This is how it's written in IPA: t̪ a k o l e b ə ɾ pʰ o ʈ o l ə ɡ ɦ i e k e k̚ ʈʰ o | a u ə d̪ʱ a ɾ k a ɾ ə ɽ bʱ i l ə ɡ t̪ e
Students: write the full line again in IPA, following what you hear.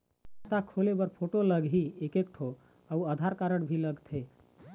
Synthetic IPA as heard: t̪ a kʰ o l e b ə ɾ pʰ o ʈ o l ə ɡ ɦ i e k e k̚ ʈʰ o | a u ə d̪ʱ a ɾ k a ɾ ə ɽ bʱ i l ə ɡ t̪ʰ e